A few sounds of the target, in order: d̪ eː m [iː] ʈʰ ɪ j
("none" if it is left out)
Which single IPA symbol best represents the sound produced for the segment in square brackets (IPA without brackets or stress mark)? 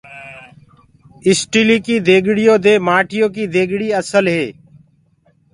aː